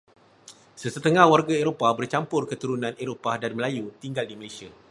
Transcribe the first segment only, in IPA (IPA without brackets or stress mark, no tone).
s